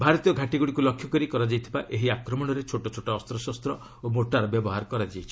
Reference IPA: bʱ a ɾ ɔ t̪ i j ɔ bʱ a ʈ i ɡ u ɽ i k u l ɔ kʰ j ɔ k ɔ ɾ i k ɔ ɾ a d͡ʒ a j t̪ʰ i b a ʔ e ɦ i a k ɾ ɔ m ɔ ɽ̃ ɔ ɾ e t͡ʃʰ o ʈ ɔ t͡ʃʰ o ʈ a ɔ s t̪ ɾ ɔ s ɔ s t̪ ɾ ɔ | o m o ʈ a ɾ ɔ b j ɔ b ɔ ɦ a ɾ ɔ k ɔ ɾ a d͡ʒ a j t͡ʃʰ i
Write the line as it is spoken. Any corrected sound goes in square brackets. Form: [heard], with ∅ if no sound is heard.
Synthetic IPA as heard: bʱ a ɾ ɔ t̪ i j ɔ [ɡʱ] a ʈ i ɡ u ɽ i k u l ɔ kʰ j ɔ k ɔ ɾ i k ɔ ɾ a d͡ʒ a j t̪ʰ i b a ʔ e ɦ i a k ɾ ɔ m ɔ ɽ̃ ɔ ɾ e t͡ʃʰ o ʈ ɔ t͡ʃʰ o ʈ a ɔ s t̪ ɾ ɔ s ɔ s t̪ ɾ ɔ | o m o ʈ a ɾ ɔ b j ɔ b ɔ ɦ a ɾ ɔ k ɔ ɾ a d͡ʒ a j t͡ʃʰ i